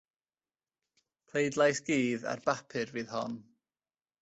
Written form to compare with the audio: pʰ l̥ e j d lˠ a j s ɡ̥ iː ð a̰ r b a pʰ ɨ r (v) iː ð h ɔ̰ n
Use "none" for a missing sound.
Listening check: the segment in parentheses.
v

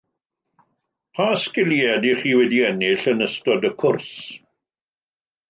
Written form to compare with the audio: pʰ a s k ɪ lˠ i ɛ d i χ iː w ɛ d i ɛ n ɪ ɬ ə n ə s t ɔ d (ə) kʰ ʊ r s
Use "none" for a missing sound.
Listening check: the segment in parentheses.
ə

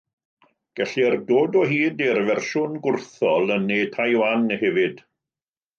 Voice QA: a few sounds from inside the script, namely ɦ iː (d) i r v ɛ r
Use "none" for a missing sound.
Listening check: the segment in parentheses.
d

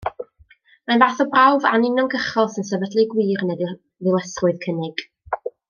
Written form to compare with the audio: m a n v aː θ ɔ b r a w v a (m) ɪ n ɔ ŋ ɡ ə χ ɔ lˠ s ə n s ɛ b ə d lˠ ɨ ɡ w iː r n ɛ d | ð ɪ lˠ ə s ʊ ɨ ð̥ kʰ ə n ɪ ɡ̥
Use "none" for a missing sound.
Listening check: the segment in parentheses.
n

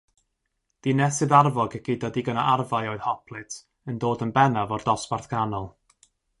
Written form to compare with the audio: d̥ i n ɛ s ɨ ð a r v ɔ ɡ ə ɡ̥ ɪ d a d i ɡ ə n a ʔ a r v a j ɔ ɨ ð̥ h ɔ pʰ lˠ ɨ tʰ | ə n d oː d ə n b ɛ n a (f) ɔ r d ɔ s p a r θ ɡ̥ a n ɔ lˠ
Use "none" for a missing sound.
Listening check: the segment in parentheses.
v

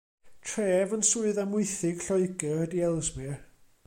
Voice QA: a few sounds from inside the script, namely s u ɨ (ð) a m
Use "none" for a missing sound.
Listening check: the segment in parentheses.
ð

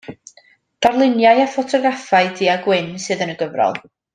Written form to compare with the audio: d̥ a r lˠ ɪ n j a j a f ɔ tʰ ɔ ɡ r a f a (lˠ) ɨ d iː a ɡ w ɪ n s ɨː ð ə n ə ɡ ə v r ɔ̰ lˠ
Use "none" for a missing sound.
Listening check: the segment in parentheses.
none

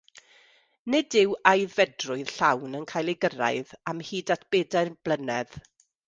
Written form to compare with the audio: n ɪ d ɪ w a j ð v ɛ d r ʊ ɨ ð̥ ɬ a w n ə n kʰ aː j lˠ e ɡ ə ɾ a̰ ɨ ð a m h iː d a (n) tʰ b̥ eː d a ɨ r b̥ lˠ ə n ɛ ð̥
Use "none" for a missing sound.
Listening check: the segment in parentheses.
none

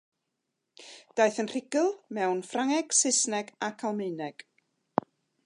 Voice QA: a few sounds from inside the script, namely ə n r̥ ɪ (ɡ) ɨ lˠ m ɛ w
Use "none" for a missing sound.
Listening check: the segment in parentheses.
ɡ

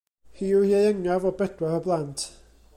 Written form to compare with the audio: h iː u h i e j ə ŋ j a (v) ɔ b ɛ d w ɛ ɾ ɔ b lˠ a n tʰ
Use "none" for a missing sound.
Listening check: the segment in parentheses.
v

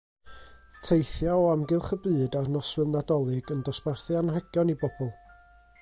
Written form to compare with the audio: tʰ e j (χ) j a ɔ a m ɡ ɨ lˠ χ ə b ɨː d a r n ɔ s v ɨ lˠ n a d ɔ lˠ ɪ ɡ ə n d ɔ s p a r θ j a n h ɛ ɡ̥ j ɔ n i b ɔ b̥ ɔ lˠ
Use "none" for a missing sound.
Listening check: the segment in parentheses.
θ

